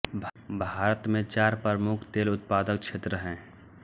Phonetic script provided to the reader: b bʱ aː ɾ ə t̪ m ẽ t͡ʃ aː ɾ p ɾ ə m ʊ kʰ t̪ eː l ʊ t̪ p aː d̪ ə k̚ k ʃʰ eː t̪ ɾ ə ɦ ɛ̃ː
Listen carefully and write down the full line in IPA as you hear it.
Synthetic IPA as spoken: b bʱ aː ɾ ə t̪ m ẽ t͡ʃ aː ɾ p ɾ ə m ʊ kʰ t̪ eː l ʊ t̪ p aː d̪ ə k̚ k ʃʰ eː t̪ ɾ ə ɦ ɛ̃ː